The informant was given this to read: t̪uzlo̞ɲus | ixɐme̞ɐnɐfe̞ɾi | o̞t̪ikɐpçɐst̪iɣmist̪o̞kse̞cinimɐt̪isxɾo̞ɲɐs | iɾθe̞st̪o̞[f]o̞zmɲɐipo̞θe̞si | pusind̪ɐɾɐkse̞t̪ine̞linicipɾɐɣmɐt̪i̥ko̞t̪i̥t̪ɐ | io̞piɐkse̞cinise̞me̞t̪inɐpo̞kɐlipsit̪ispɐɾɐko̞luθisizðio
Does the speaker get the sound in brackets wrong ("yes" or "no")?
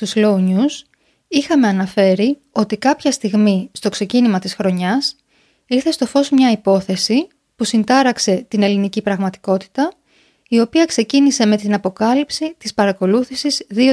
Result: no